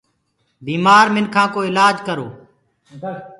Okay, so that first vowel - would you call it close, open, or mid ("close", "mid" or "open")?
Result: close